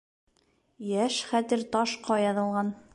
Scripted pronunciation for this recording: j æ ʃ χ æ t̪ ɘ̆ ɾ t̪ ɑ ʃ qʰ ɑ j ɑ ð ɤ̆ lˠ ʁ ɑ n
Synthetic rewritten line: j æ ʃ χ æ t̪ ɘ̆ ɾ t̪ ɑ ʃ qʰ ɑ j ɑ ð ɤ̆ lˠ ʁ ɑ n

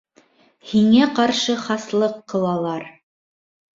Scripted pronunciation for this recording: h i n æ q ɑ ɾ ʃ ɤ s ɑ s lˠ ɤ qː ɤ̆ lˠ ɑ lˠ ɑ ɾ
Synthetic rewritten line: h i ŋ æ q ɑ ɾ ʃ ɤ χ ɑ s lˠ ɤ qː ɤ̆ lˠ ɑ lˠ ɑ ɾ

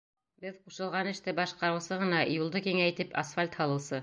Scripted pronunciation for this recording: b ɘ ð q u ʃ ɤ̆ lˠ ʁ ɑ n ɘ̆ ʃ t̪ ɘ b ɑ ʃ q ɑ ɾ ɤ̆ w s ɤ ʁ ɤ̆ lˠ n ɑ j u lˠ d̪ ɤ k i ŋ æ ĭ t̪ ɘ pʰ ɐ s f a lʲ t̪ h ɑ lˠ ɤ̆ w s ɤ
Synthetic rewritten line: b ɘ ð q u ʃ ɤ̆ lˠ ʁ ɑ n ɘ̆ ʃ t̪ ɘ b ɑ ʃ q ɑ ɾ ɤ̆ w s ɤ ʁ ɤ̆ n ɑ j u lˠ d̪ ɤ k i ŋ æ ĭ t̪ ɘ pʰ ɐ s f a lʲ t̪ h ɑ lˠ ɤ̆ w s ɤ

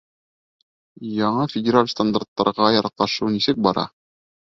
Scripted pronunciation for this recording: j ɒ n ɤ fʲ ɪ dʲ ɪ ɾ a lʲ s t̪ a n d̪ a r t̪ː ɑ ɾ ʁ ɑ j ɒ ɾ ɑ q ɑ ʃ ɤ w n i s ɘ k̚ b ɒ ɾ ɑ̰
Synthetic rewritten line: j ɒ ɴ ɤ fʲ ɪ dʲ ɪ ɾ a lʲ s t̪ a n d̪ a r t̪ː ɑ ɾ ʁ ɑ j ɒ ɾ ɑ q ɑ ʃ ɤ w n i s ɘ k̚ b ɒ ɾ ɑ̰

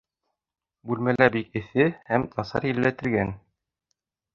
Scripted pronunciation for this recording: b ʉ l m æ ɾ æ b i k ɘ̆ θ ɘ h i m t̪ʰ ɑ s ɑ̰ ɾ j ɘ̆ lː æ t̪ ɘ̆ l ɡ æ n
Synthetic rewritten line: b ʉ l m æ l æ b i k ɘ̆ θ ɘ h æ m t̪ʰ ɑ s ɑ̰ ɾ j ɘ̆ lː æ t̪ ɘ̆ l ɡ æ n

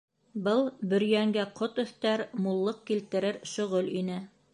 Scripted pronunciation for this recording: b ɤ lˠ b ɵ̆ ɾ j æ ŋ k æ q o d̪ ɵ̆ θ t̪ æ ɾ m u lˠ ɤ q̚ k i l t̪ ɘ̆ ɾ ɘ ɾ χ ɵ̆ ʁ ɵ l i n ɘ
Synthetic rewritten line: b ɤ lˠ b ɵ̆ ɾ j æ ŋ ɡ æ q o t̪ ɵ̆ θ t̪ æ ɾ m u lˠː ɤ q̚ k i l t̪ ɘ̆ ɾ ɘ ɾ ʃ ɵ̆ ʁ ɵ l i n ɘ

